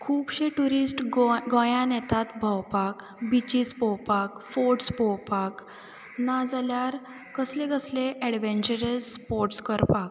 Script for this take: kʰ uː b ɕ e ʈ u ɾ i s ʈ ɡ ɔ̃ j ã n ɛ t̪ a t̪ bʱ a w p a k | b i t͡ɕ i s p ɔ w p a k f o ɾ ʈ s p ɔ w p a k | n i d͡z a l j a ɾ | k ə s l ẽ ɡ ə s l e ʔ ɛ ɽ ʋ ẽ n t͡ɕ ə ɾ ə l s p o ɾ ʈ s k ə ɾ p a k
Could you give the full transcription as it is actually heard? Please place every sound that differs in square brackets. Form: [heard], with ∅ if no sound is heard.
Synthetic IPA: kʰ uː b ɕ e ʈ u ɾ i s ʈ ɡ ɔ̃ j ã n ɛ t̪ a t̪ bʱ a w p a k | b i t͡ɕ i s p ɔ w p a k f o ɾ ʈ s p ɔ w p a k | n [a] d͡z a l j a ɾ | k ə s l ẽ ɡ ə s l e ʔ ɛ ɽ ʋ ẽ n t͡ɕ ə ɾ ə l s p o ɾ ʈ s k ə ɾ p a k

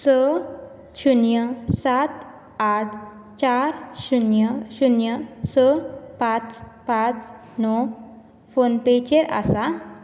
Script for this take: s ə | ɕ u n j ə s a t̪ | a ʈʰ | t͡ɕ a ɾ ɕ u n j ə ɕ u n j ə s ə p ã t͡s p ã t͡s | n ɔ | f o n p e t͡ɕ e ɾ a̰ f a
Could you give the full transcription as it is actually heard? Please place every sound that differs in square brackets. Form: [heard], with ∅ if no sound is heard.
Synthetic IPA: s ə | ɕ u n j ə s a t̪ | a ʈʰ | t͡ɕ a ɾ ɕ u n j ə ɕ u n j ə s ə p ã t͡s p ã t͡s | n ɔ | f o n p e t͡ɕ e ɾ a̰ [s] a

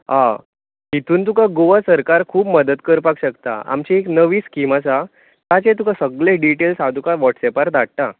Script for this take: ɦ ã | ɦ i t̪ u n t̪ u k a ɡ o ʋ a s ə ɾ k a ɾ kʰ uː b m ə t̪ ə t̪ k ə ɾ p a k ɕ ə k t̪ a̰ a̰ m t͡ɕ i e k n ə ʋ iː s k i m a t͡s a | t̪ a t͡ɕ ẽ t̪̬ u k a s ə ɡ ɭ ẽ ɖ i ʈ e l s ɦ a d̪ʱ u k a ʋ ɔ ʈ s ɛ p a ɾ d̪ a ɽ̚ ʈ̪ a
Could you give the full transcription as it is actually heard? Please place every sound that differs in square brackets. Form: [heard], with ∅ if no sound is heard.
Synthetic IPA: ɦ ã | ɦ i t̪ [uː] n t̪ u k a ɡ o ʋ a s ə ɾ k a ɾ kʰ uː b m ə [d̪] ə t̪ k ə ɾ p a k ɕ ə k t̪ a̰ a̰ m t͡ɕ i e k n ə ʋ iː s k i m a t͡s a | t̪ a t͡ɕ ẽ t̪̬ u k a s ə ɡ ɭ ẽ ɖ i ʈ e l s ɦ a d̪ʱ u k a ʋ ɔ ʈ s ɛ p a ɾ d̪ a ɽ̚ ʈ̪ a

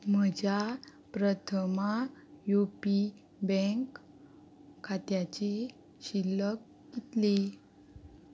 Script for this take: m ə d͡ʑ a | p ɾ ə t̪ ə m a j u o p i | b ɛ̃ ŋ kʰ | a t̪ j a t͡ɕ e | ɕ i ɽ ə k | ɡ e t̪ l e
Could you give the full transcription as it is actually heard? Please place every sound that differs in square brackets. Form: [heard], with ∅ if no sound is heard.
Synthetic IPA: m ə d͡ʑ a | p ɾ ə [t̪ʰ] ə m a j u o p i | b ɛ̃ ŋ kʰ | a t̪ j a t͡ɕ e | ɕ i [l] ə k | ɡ [i] t̪ l e

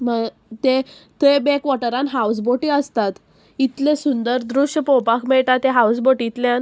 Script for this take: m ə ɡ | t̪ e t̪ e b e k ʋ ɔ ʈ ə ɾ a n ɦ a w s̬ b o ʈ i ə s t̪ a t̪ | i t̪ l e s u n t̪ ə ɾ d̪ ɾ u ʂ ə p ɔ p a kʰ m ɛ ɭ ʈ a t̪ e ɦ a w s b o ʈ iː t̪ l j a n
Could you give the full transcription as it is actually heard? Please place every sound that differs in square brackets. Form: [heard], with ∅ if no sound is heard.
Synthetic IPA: m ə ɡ | t̪ e t̪ e b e k ʋ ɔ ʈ ə ɾ a n ɦ a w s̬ b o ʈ i ə s t̪ a t̪ | i t̪ l e s u n [d̪] ə ɾ d̪ ɾ u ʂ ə p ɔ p a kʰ m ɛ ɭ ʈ a t̪ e ɦ a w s b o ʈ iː t̪ l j a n

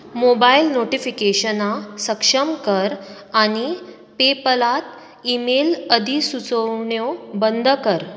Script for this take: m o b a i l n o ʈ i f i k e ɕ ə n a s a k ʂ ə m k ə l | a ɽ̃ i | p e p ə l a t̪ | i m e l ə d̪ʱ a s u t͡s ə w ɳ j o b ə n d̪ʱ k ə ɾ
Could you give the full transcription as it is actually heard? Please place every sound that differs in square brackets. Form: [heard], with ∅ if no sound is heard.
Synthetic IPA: m o b a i l n o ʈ i f i k e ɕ ə n a s [ə] k ʂ ə m k ə [ɾ] | a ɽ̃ i | p e p ə l a t̪ | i m e l ə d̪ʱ [i] s u t͡s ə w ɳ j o b ə n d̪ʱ k ə ɾ

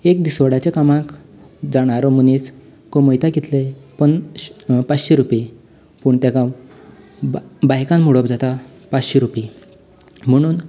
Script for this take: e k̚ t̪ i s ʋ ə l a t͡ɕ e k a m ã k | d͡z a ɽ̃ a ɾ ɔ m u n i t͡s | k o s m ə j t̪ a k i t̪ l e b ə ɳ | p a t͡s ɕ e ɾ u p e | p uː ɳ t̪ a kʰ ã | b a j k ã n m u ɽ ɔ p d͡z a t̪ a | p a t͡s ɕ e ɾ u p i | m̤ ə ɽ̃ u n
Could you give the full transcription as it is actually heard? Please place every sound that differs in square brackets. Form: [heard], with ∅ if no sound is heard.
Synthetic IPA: e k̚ [d̪] i s ʋ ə [ɽ] a t͡ɕ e k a m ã k | d͡z a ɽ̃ a ɾ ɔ m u n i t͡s | k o [∅] m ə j t̪ a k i t̪ l e [p] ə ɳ | p a t͡s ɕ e ɾ u p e | p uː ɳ t̪ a [k] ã | b a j k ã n m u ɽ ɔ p d͡z a t̪ a | p a t͡s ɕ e ɾ u p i | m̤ ə ɽ̃ [uː] n

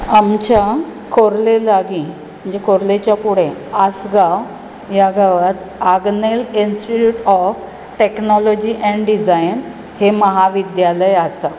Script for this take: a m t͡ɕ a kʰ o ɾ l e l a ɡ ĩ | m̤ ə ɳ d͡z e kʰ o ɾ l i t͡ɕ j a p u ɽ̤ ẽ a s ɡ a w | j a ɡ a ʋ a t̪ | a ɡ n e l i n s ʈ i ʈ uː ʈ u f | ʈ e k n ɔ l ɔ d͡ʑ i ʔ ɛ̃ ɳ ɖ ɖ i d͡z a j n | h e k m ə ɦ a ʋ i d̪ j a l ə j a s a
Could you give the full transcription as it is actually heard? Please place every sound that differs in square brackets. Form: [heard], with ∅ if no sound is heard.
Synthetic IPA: a m t͡ɕ a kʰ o ɾ l e l a ɡ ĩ | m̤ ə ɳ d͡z e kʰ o ɾ l [e] t͡ɕ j a p u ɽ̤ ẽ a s ɡ a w | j a ɡ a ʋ a t̪ | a ɡ n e l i n s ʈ i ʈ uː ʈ [ɔ] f | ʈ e k n ɔ l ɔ d͡ʑ i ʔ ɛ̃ ɳ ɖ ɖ i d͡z a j n | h e [∅] m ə ɦ a ʋ i d̪ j a l ə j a s a

